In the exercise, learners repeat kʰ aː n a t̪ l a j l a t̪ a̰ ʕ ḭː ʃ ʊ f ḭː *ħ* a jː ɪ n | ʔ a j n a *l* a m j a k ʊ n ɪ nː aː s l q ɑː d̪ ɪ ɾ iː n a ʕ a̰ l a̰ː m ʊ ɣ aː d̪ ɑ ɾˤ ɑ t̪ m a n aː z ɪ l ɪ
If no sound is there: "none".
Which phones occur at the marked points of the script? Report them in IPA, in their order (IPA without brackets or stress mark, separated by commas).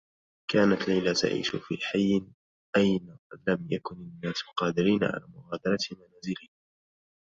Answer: ħ, l